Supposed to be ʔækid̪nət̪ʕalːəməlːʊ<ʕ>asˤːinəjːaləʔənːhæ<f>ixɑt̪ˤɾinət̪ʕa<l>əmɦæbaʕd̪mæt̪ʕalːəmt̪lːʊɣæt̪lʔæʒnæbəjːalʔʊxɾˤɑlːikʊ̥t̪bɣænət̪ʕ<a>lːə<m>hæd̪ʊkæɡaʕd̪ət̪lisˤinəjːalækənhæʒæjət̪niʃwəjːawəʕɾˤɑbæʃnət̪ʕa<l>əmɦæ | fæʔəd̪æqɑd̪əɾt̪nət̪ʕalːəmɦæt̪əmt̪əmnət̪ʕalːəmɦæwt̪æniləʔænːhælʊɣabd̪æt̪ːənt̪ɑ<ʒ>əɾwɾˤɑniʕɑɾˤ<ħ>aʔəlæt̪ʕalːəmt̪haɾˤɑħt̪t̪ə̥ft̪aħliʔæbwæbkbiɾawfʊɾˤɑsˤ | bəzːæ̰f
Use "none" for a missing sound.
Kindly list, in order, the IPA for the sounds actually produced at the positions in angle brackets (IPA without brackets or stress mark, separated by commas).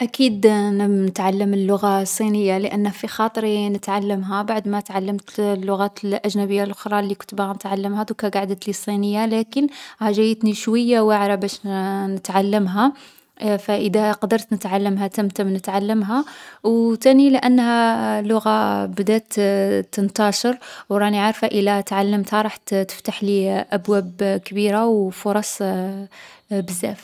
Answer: ɣ, f, lː, a, m, lː, ʃ, f